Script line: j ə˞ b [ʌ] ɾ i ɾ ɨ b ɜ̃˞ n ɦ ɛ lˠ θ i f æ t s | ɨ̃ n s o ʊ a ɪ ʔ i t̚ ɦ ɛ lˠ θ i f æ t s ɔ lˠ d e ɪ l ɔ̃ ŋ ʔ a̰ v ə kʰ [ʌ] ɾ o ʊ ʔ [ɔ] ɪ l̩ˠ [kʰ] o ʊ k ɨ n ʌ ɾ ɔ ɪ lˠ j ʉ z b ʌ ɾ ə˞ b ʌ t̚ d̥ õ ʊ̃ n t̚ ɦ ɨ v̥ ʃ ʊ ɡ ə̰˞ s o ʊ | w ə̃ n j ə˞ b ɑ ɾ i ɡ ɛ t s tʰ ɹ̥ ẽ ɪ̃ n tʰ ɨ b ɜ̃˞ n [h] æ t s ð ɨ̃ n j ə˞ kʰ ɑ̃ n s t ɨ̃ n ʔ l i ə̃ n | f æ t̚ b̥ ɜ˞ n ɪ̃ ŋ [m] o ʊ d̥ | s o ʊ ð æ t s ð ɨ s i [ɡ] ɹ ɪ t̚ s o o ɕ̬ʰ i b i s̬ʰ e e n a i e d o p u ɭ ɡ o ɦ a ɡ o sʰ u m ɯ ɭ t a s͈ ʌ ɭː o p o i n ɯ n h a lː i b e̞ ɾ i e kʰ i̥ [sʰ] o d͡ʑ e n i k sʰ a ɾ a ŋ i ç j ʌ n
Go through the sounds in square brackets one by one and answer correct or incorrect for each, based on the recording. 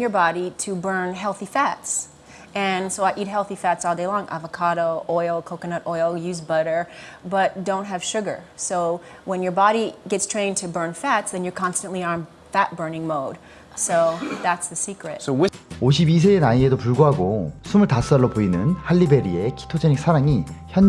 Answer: incorrect: ɑ, incorrect: ɑ, correct, correct, incorrect: f, correct, incorrect: k, incorrect: tʰ

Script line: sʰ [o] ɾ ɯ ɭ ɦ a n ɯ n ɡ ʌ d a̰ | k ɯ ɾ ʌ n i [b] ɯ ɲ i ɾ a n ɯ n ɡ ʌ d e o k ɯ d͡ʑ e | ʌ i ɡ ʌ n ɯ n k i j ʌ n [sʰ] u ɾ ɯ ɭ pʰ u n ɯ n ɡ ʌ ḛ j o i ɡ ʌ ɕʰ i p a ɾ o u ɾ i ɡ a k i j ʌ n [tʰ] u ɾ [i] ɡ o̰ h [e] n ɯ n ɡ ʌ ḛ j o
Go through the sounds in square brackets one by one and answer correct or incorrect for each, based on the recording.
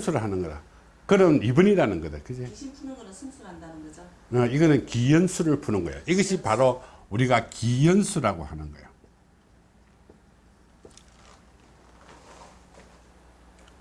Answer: incorrect: u, correct, correct, incorrect: sʰ, incorrect: a, incorrect: a

